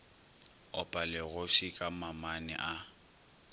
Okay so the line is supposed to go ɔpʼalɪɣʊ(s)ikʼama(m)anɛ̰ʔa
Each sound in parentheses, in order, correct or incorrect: incorrect: f, correct

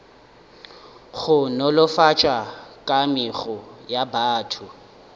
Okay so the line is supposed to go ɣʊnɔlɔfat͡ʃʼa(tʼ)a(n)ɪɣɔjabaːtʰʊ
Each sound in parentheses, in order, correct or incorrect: incorrect: kʼ, incorrect: m

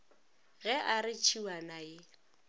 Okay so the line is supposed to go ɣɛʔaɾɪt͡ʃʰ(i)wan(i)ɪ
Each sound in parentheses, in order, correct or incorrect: correct, incorrect: a

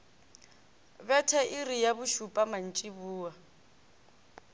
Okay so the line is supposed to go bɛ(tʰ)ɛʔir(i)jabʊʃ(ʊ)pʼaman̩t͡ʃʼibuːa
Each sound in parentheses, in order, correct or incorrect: correct, correct, incorrect: u

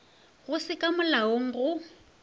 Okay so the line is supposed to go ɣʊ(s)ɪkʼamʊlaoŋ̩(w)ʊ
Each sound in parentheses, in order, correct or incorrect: correct, incorrect: ɣ

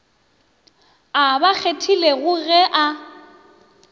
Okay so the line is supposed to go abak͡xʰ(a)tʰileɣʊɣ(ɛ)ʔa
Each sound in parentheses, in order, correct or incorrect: incorrect: e, correct

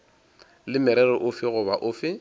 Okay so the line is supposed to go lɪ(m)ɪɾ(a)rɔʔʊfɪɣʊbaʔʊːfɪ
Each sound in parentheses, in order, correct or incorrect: correct, incorrect: ɛ

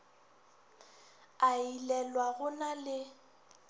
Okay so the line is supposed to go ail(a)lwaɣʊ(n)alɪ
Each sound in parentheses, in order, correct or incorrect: incorrect: ɛ, correct

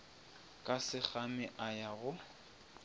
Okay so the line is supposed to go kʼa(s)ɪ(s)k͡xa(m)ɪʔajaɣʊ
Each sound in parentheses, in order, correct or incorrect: correct, incorrect: none, correct

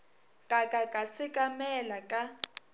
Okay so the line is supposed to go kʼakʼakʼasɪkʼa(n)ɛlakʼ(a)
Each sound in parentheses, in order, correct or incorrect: incorrect: m, correct

